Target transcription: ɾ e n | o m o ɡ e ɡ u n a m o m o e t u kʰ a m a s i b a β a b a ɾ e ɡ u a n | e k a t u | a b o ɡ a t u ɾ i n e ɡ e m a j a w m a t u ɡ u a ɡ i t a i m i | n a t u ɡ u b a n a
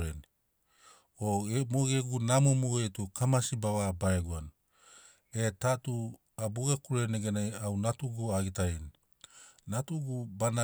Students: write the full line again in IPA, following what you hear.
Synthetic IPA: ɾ e n | o m o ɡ e ɡ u n a m o m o e t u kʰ a m a s i b a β a b a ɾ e ɡ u a n | e t a t u | a b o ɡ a k u ɾ e n e ɡ e n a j a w n a t u ɡ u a ɡ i t a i n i | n a t u ɡ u b a n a